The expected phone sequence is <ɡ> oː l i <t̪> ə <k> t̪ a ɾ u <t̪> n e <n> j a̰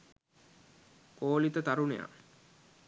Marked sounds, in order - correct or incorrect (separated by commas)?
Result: incorrect, correct, incorrect, incorrect, incorrect